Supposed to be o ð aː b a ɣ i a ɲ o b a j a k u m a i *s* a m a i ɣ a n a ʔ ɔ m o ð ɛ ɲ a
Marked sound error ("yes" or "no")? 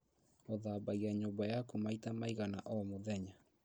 yes